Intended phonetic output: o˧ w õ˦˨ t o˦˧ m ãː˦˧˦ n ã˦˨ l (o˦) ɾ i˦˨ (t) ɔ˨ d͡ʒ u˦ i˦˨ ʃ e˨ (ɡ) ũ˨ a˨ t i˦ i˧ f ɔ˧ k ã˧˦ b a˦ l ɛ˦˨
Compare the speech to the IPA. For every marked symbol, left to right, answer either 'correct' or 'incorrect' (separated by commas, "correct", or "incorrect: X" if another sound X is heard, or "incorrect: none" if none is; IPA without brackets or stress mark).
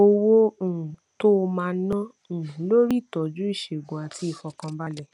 correct, correct, correct